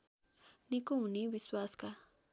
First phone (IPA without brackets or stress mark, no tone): n